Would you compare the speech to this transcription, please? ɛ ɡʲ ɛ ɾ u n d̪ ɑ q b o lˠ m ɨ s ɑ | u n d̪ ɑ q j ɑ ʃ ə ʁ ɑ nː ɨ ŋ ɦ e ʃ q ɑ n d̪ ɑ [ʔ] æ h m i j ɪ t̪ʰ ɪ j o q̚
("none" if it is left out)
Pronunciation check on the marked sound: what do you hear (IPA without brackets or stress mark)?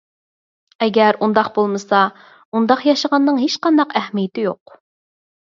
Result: q